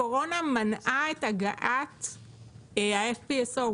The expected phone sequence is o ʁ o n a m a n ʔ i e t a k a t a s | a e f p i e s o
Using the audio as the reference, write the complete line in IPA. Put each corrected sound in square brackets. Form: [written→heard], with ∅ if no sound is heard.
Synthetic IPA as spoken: o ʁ o n a m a n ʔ [i→a] e t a [k→ɡ] a [t→ʔ] a [s→t] | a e f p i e s o